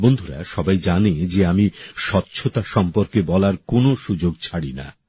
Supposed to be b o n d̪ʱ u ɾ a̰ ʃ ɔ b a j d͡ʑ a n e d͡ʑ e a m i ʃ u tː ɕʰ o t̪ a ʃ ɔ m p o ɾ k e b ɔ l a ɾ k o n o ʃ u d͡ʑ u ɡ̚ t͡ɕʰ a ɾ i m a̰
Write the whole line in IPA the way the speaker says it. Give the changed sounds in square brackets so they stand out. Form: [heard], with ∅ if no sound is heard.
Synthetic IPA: b o n d̪ʱ u ɾ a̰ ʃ ɔ b a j d͡ʑ a n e d͡ʑ e a m i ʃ [ɔ] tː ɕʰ o t̪ a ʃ ɔ m p o ɾ k e b ɔ l a ɾ k o n o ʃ u d͡ʑ [o] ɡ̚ t͡ɕʰ a [ɽ] i [n] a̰